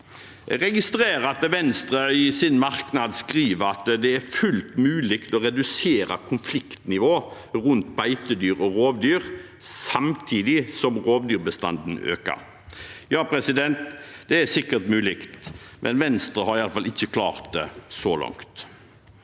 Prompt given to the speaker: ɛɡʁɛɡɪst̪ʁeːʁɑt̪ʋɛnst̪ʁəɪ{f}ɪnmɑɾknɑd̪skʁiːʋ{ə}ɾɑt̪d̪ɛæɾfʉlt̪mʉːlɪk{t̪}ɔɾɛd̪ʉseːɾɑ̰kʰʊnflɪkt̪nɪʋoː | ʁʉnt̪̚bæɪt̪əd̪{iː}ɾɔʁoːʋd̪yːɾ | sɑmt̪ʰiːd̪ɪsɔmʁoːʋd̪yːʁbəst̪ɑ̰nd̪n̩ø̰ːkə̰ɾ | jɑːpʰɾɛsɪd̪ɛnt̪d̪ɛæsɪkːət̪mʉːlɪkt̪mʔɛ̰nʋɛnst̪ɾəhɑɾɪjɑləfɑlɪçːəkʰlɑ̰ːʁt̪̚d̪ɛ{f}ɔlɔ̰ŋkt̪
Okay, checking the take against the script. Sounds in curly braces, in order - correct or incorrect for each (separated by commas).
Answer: incorrect, correct, correct, incorrect, incorrect